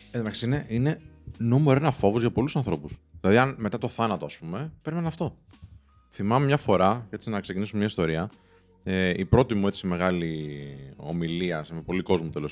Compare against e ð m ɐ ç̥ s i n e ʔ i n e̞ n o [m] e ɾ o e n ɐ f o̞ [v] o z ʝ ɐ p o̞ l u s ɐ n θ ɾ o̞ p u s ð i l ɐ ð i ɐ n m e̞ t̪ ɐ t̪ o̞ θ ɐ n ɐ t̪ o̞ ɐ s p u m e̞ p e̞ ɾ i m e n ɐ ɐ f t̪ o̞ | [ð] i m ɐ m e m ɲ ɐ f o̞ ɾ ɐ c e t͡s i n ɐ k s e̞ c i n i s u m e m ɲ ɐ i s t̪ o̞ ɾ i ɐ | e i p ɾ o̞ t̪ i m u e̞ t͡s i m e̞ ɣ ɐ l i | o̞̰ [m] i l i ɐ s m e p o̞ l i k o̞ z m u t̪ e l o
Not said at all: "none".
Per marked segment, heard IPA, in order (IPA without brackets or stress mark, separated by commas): m, v, θ, m